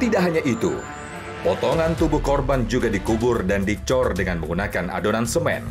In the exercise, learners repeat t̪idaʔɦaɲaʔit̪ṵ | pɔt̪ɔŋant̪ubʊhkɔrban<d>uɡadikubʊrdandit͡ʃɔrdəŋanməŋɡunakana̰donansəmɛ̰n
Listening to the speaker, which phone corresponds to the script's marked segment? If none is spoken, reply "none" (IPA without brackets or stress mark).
d͡ʒ